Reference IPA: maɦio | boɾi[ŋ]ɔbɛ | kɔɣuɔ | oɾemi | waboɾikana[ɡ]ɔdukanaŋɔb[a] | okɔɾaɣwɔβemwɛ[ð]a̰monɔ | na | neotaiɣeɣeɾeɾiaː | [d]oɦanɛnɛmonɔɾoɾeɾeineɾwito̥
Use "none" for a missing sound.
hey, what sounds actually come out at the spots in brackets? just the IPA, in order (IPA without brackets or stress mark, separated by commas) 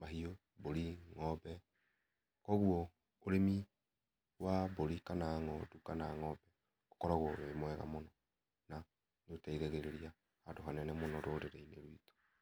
ŋ, ŋ, ɛ, ɣ, d